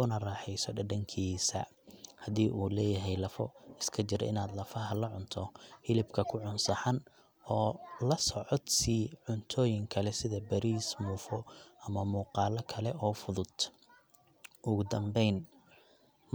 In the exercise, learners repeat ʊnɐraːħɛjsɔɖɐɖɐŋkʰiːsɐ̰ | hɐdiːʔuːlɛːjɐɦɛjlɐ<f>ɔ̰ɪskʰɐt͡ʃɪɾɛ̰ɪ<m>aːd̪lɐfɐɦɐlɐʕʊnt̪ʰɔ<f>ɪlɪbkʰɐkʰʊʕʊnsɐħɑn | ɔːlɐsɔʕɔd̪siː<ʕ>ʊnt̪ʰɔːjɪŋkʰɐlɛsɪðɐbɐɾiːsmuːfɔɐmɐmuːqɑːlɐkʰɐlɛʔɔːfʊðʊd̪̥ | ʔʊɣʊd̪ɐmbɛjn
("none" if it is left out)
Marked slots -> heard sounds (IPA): f, n, h, ʕ

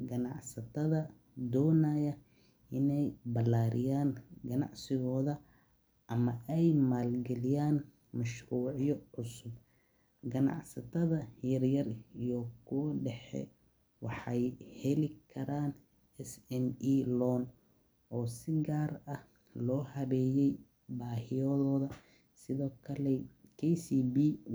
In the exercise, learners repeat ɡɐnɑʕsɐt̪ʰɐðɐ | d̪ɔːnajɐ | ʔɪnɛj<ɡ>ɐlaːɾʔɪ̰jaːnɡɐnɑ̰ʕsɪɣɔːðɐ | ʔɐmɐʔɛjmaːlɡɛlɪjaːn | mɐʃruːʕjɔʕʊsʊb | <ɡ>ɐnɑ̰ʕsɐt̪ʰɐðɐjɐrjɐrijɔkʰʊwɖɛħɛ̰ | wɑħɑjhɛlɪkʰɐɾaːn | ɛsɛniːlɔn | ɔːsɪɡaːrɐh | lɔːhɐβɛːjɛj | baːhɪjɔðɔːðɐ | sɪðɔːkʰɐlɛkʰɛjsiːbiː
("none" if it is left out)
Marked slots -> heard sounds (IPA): b, ɡ

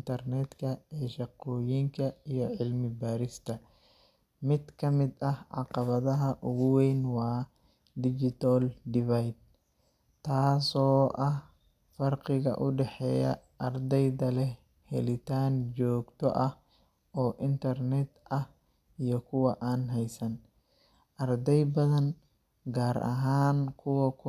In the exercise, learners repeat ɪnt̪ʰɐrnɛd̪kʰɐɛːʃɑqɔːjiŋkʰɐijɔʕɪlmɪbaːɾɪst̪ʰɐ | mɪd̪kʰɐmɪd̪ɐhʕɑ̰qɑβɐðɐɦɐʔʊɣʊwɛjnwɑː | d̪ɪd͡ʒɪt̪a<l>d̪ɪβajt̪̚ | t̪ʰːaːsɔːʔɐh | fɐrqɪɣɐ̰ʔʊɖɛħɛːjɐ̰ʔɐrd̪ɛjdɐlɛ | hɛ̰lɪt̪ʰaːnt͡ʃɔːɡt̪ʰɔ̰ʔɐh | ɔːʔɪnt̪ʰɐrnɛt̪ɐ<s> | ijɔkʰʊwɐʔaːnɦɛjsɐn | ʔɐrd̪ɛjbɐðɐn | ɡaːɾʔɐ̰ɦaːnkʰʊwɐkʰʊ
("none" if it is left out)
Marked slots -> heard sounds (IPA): l, h

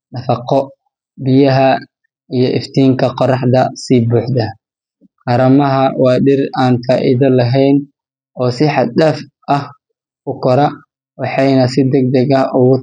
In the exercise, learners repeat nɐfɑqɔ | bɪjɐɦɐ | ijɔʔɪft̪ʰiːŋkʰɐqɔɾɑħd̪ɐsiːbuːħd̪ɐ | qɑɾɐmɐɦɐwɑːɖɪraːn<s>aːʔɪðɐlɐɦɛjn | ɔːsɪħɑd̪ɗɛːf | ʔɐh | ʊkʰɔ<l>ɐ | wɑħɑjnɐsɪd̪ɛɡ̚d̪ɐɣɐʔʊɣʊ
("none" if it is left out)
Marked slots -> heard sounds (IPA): f, ɾ

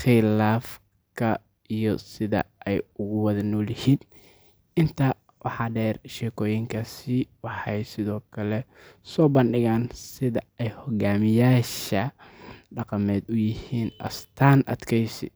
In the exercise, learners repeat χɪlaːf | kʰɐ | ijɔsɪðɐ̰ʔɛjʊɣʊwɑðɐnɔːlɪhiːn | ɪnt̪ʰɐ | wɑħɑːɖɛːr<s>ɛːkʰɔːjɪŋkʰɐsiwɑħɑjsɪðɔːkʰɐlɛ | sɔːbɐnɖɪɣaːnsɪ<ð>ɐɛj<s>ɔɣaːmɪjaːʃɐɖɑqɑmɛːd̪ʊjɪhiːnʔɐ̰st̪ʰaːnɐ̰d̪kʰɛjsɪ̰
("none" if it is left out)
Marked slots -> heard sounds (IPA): ʃ, ð, h

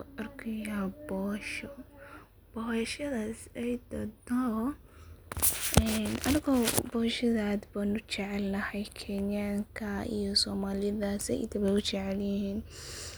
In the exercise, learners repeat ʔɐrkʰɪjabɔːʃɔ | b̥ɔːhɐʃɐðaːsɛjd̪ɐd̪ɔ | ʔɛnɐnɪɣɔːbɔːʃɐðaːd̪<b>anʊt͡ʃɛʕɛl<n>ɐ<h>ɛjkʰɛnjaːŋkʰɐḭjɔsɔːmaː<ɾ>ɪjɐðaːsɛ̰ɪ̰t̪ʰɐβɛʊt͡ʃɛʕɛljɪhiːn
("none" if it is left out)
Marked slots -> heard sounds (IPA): b, n, h, l

